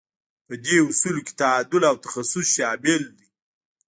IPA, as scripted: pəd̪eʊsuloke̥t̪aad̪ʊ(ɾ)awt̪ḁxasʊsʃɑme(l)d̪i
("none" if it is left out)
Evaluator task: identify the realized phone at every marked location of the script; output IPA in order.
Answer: l, l

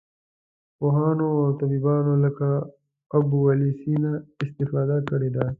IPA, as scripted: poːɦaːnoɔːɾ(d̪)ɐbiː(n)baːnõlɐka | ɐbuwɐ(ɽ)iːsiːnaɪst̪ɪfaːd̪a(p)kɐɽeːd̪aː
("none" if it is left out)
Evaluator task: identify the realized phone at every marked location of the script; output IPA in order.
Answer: t̪, none, l, none

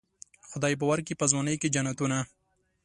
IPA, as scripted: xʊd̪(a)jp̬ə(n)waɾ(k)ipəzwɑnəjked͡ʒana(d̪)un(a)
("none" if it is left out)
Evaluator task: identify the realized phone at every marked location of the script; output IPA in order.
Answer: ɑ, none, k, t̪, a

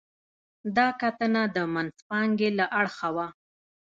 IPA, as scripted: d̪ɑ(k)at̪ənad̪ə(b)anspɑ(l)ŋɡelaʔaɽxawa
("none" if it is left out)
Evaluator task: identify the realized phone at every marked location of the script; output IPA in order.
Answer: k, m, none

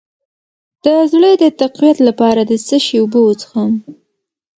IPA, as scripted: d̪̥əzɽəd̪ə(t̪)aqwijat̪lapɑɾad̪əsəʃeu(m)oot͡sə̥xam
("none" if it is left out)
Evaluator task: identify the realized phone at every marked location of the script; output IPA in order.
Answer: t̪, b

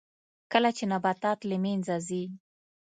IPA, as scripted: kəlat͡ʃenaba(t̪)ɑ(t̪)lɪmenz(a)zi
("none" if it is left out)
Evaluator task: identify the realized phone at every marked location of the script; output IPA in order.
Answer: t̪, t̪, a

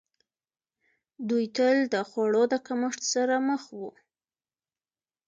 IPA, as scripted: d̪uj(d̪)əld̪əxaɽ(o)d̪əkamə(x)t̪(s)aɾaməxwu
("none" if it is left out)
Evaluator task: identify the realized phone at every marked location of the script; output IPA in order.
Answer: t̪, o, ʂ, s

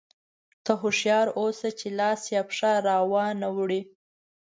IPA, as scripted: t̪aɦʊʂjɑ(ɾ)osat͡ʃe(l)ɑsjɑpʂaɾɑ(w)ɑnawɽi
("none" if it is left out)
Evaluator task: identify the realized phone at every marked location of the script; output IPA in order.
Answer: ɾ, l, w

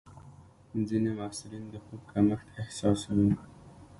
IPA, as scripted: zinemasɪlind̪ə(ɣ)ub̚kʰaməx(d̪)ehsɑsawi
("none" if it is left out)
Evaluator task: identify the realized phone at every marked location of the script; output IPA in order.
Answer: x, t̪

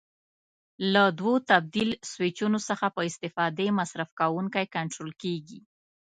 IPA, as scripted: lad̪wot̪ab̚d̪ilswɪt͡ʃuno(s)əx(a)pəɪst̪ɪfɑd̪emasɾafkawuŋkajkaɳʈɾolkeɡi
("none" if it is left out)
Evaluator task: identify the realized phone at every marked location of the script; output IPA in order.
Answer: s, a

